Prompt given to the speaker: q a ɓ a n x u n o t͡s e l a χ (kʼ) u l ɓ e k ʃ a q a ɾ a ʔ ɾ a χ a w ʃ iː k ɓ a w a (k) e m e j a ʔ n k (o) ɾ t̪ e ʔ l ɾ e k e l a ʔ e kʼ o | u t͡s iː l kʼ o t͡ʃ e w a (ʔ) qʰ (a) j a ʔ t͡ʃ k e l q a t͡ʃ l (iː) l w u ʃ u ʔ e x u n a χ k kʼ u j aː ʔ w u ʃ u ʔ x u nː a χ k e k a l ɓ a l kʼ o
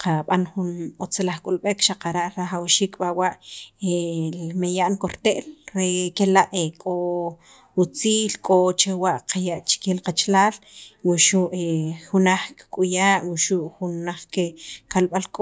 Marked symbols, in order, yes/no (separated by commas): yes, no, yes, yes, yes, no